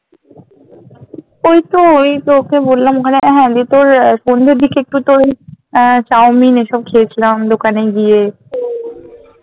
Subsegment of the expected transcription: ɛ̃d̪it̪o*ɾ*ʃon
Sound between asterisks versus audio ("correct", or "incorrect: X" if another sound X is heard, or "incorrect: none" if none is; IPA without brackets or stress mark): correct